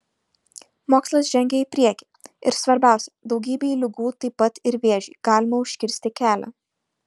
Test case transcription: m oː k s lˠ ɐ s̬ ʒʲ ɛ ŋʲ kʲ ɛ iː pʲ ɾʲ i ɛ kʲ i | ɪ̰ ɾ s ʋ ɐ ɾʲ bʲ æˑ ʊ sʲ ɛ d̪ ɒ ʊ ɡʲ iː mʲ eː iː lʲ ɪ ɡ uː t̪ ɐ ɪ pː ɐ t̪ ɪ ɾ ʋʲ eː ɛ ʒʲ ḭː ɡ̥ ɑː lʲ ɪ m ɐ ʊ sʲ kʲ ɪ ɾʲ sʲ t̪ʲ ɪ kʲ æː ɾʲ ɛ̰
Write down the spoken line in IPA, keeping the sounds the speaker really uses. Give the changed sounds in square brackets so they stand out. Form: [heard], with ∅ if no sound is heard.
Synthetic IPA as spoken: m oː k s lˠ ɐ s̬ ʒʲ ɛ ŋʲ [ɡʲ] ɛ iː pʲ ɾʲ i ɛ kʲ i | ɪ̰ ɾ s ʋ ɐ ɾʲ bʲ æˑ ʊ sʲ ɛ d̪ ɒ ʊ ɡʲ iː [bʲ] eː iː lʲ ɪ ɡ uː t̪ ɐ ɪ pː ɐ t̪ ɪ ɾ ʋʲ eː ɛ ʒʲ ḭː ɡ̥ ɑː lʲ ɪ m ɐ ʊ [ʃʲ] kʲ ɪ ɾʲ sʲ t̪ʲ ɪ kʲ æː [lʲ] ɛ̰